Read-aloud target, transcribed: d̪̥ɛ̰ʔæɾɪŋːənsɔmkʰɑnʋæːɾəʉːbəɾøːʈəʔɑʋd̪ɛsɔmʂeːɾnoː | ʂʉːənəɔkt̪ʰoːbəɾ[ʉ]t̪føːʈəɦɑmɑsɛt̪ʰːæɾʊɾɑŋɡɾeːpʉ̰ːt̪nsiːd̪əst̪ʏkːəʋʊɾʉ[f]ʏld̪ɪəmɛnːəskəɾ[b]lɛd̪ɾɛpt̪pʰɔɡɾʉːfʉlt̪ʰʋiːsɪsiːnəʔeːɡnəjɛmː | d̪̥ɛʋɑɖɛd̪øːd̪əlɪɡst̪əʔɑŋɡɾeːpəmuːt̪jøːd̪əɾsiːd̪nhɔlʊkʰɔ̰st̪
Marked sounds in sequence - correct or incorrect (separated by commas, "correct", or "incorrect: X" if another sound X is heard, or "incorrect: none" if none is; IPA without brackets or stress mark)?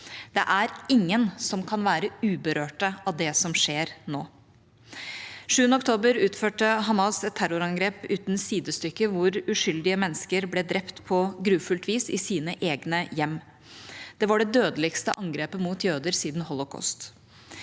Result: incorrect: ʉː, incorrect: ʂ, correct